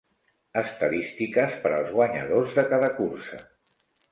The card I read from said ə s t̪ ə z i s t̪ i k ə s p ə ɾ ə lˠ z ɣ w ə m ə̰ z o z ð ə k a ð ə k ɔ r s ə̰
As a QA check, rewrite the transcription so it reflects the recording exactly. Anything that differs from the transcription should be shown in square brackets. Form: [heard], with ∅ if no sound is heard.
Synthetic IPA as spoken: ə s t̪ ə [ð] i s t̪ i k ə s p ə ɾ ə lˠ z ɣ w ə [ɲ] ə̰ [ð] o z ð ə k a ð ə k [u] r s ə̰